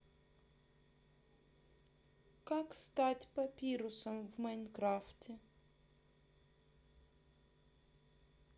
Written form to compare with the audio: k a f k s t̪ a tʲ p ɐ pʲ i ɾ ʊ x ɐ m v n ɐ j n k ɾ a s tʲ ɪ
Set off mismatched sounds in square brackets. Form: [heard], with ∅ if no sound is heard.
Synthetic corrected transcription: k a [∅] k s t̪ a tʲ p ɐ pʲ i ɾ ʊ [s] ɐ m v [m] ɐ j n k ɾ a [f] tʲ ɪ